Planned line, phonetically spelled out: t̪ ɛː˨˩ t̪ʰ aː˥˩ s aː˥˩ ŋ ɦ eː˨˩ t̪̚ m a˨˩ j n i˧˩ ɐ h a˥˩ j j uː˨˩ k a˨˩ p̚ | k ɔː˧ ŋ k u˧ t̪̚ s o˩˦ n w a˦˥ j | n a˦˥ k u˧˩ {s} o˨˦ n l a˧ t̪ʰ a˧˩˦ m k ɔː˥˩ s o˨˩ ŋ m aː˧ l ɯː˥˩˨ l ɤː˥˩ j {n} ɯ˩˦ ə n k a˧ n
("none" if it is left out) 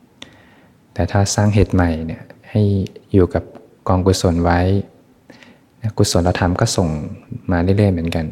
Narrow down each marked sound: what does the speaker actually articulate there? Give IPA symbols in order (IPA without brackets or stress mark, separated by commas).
s, m